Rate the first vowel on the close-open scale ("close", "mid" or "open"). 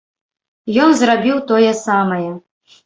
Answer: mid